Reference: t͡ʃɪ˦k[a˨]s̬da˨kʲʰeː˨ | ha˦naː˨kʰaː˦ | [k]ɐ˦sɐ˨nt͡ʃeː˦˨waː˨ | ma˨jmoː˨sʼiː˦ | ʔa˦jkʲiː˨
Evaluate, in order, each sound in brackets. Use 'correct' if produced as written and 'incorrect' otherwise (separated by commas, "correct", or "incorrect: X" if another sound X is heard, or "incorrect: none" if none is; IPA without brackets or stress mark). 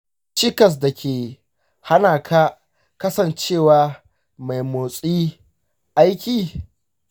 incorrect: ɐ˨, correct